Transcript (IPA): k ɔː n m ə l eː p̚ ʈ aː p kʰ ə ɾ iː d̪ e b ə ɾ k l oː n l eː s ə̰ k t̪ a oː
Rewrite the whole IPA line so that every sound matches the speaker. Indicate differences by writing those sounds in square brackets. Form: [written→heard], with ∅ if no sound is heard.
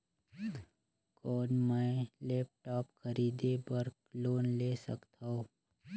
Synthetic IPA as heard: k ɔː n m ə l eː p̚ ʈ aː p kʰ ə ɾ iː d̪ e b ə ɾ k l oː n l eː s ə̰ k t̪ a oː

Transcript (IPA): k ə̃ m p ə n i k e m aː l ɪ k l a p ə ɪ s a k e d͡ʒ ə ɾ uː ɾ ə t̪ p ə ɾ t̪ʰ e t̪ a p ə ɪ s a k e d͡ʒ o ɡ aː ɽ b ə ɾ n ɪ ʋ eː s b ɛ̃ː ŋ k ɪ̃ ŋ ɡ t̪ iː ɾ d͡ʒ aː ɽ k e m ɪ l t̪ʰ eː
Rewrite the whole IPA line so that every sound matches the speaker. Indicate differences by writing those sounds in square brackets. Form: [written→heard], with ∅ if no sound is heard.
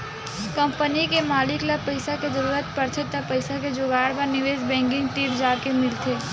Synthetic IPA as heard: k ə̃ m p ə n i k e m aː l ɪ k l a p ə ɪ s a k e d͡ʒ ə ɾ uː ɾ ə t̪ p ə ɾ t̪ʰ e t̪ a p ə ɪ s a k e d͡ʒ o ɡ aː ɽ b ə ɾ n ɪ ʋ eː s b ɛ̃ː ŋ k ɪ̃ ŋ ɡ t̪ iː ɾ d͡ʒ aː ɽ k e m ɪ l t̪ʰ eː

